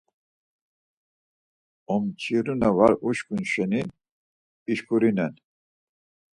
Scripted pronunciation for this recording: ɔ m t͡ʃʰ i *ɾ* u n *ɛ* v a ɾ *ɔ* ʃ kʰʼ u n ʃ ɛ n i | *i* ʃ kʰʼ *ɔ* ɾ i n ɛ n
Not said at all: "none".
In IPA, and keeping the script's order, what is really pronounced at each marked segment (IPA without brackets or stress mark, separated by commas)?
ɾ, a, u, i, u